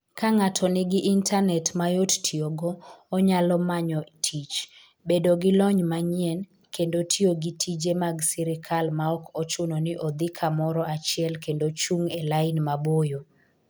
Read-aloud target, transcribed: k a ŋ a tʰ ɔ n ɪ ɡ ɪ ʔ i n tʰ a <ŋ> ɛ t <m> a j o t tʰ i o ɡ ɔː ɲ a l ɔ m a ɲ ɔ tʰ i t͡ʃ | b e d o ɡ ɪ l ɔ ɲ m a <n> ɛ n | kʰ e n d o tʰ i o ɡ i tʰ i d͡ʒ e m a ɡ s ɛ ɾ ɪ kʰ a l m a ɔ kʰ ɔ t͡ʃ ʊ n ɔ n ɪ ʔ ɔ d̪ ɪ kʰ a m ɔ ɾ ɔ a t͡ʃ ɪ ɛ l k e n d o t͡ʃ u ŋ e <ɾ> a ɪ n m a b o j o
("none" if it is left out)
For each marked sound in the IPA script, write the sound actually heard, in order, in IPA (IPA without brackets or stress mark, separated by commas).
n, m, ɲ, l